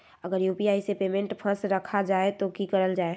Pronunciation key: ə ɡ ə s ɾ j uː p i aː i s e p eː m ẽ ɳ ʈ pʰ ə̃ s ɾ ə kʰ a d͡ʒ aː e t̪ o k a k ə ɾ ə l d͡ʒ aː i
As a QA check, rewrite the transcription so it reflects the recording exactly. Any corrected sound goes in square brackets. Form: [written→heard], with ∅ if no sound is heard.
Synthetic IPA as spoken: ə ɡ ə [s→∅] ɾ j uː p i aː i s e p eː m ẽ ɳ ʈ pʰ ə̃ s ɾ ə kʰ a d͡ʒ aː e t̪ o k [a→i] k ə ɾ ə l d͡ʒ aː [i→e]

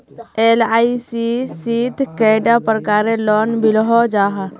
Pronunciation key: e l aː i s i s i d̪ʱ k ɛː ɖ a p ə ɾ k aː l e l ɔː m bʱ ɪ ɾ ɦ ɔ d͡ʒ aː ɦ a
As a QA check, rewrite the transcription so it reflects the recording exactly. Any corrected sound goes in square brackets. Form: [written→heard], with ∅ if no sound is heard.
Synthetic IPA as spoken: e l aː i s i s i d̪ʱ k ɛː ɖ a p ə ɾ k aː [l→ɾ] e l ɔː [m→n] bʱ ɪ [ɾ→l] ɦ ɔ d͡ʒ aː ɦ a

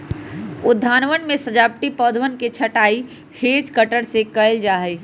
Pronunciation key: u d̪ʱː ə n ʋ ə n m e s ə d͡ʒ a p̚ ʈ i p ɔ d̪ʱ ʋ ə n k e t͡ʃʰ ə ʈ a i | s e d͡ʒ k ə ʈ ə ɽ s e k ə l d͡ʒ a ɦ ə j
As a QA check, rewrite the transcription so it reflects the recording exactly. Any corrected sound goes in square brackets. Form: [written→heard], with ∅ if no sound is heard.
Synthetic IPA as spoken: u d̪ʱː [ə→a] n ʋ ə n m e s ə d͡ʒ a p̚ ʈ i p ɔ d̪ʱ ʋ ə n k e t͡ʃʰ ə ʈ a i | [s→h] e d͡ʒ k ə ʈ ə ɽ s e k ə l d͡ʒ a ɦ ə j

